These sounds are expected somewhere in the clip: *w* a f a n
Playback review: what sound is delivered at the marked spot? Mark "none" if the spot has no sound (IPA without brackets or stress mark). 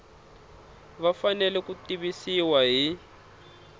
β